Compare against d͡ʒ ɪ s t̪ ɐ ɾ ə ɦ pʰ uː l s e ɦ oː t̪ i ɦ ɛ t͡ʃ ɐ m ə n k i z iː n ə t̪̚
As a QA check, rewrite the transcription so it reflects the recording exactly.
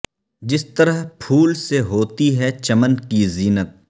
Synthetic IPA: d͡ʒ ɪ s t̪ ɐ ɾ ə ɦ pʰ uː l s e ɦ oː t̪ i ɦ ɛ t͡ʃ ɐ m ə n k i z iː n ə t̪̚